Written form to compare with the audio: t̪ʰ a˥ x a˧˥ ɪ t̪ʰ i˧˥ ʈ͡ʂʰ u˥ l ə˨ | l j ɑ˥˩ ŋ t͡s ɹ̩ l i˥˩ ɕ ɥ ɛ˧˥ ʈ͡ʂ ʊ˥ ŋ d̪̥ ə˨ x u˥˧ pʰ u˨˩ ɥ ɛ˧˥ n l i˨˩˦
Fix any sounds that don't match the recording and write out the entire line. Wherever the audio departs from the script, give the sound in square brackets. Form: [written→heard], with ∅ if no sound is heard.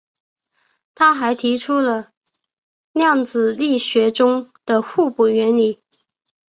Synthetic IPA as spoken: t̪ʰ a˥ x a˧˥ ɪ t̪ʰ i˧˥ ʈ͡ʂʰ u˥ l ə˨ | l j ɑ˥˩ ŋ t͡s ɹ̩ l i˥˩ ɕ ɥ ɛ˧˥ ʈ͡ʂ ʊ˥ ŋ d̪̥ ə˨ x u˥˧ [pʰ→p] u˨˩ ɥ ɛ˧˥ n l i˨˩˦